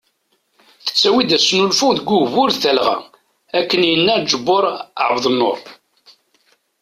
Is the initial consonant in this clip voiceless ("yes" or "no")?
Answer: yes